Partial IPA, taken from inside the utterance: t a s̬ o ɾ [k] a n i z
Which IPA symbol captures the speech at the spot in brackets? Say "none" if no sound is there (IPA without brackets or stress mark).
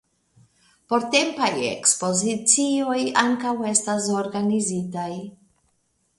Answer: ɡ